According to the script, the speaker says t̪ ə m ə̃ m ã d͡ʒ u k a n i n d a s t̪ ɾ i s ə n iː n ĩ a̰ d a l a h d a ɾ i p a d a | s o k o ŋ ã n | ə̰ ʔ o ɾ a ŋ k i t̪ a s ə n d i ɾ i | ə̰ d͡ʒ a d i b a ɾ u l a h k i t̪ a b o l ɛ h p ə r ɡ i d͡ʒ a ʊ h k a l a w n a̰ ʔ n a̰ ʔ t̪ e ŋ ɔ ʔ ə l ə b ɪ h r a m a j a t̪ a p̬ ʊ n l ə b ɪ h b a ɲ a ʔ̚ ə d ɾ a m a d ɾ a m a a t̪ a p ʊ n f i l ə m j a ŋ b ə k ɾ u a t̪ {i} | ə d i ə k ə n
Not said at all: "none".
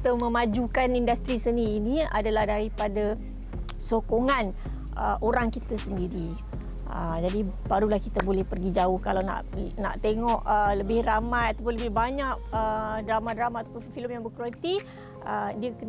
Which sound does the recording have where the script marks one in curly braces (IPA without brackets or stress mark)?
i